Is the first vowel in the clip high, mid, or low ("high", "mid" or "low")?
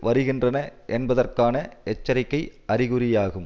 low